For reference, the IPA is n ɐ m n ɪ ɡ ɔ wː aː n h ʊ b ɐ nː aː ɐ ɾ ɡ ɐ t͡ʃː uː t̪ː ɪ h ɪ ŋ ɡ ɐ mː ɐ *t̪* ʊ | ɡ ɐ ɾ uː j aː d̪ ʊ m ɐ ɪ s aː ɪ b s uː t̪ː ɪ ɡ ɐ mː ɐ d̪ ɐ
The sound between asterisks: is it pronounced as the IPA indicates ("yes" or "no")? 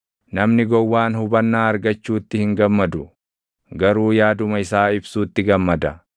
no